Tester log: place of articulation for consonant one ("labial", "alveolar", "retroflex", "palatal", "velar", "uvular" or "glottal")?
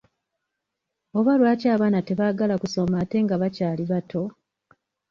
labial